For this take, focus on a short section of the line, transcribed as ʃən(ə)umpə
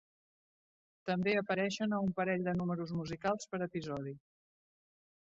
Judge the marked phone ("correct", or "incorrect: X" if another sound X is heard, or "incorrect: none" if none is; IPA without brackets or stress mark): correct